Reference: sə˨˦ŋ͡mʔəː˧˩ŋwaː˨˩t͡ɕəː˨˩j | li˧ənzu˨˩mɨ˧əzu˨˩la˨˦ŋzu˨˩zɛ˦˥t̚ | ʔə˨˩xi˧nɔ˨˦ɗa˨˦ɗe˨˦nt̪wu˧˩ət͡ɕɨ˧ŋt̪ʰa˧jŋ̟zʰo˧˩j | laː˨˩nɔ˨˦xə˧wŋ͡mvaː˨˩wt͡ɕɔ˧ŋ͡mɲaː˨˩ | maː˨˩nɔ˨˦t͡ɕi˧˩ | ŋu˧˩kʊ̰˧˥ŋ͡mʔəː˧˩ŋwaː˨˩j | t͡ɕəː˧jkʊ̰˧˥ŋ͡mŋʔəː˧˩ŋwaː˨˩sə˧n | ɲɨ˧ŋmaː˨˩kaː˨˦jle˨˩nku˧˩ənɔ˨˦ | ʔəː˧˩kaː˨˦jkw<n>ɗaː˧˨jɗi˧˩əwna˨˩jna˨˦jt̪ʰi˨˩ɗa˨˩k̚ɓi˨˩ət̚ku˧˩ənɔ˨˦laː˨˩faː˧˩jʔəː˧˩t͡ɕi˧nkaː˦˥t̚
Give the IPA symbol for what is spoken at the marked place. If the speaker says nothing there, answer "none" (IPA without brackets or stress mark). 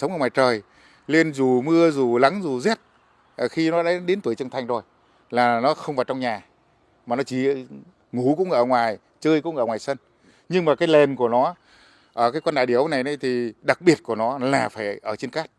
n